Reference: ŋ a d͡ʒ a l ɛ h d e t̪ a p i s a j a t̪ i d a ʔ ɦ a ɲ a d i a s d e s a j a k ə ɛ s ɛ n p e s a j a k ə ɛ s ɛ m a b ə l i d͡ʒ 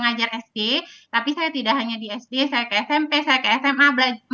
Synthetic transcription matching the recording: ŋ a d͡ʒ a r ɛ s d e t̪ a p i s a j a t̪ i d a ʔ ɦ a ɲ a d i ɛ s d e s a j a k ə ɛ s ɛ m p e s a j a k ə ɛ s ɛ m a b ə l a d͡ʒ